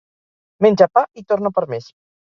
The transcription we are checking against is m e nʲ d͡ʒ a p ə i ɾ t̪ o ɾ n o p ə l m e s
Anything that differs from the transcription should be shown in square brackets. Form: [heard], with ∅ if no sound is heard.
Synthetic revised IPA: m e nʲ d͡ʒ a p [a] i [∅] t̪ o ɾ n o p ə [ɾ] m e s